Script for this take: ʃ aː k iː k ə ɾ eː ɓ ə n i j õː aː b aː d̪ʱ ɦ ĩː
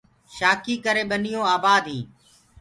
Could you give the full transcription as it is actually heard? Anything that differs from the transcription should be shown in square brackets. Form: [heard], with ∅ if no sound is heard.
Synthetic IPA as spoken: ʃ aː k iː k ə ɾ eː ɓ ə n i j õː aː b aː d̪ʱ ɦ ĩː